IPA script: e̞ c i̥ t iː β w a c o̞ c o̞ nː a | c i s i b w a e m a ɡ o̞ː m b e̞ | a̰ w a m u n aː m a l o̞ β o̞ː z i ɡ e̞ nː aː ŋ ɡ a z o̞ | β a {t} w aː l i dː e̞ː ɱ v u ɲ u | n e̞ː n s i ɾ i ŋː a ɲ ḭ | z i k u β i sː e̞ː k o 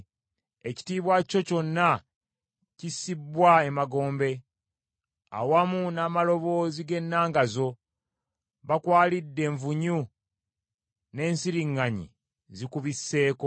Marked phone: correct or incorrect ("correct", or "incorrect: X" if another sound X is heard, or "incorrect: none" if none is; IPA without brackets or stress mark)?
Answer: incorrect: k